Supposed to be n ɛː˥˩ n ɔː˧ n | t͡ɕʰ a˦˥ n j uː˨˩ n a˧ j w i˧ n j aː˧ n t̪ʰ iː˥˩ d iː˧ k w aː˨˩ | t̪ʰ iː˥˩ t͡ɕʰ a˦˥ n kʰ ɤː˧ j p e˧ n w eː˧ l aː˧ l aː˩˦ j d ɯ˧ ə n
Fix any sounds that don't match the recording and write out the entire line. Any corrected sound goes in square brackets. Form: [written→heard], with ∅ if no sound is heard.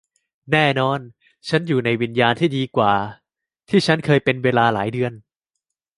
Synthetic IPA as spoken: n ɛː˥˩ n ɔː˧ n | t͡ɕʰ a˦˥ n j uː˨˩ n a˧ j w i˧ n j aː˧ n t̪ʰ iː˥˩ d iː˧ k w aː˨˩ | t̪ʰ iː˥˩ t͡ɕʰ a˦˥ n kʰ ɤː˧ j p e˧ n w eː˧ l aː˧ l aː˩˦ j d ɯ˧ ə n